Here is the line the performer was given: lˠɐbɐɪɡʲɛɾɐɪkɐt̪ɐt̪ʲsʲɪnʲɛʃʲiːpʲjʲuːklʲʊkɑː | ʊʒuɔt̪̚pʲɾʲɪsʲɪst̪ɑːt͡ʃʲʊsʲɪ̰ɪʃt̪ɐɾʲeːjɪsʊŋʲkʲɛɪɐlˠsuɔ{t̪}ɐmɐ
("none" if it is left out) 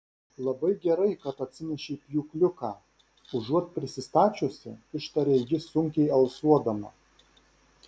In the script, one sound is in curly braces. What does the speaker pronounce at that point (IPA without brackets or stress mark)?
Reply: d̪